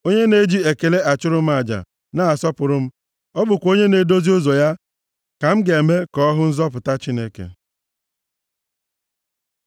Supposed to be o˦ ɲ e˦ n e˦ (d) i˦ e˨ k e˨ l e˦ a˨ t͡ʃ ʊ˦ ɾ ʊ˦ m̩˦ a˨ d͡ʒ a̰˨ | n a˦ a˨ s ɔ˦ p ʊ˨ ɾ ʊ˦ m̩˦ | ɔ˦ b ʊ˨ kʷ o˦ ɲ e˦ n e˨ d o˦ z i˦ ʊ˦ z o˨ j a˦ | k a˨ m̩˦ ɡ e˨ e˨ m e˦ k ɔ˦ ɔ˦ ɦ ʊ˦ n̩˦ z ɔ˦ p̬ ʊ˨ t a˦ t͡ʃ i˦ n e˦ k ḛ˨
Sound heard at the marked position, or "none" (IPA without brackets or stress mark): d͡ʒ